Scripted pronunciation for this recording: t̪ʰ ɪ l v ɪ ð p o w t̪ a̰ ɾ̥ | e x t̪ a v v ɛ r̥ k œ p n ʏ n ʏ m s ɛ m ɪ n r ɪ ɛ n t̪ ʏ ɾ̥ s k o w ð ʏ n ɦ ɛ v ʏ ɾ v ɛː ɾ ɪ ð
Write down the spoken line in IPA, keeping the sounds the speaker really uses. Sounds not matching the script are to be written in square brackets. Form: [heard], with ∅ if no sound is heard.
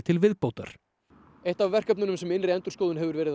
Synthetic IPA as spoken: t̪ʰ ɪ l v ɪ ð p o w t̪ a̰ ɾ̥ | e [h] t̪ a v v ɛ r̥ k œ p n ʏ n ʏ m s ɛ m ɪ n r ɪ ɛ n t̪ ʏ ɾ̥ s k o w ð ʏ n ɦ ɛ v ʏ ɾ v ɛː ɾ ɪ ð